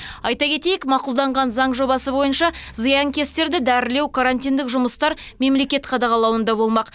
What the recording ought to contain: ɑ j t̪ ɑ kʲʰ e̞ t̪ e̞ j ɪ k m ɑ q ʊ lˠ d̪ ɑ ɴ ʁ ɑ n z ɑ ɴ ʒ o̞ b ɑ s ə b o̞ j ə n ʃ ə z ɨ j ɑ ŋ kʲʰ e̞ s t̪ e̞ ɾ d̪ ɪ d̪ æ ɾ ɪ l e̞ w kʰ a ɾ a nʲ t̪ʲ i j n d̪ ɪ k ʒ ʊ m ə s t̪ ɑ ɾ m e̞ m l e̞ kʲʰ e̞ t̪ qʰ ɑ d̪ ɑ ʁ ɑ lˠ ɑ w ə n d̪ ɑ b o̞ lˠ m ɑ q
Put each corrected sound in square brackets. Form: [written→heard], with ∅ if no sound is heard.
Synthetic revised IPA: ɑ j t̪ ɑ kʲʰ e̞ t̪ e̞ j ɪ k m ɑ q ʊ lˠ d̪ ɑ ɴ ʁ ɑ n z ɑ ɴ ʒ o̞ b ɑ s ə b o̞ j ə n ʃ [ə→ɑ] z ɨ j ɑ ŋ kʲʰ e̞ s t̪ e̞ ɾ d̪ ɪ d̪ æ ɾ ɪ l e̞ w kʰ a ɾ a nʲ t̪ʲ i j n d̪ ɪ k ʒ ʊ m ə s t̪ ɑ ɾ m e̞ m l e̞ [kʲʰ→kʲ] e̞ t̪ qʰ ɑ d̪ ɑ ʁ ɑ lˠ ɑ w ə n d̪ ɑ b o̞ lˠ m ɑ q